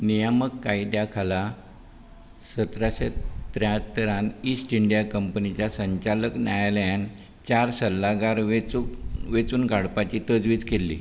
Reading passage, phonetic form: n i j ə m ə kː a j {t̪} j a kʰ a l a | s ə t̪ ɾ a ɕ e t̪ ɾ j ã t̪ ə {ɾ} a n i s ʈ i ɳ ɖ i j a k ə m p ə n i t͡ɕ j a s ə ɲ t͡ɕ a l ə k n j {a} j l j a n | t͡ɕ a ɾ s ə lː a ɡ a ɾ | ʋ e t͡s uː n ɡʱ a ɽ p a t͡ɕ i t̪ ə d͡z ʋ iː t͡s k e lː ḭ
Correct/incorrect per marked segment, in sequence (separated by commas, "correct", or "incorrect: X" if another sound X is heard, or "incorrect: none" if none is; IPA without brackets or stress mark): incorrect: d̪, correct, correct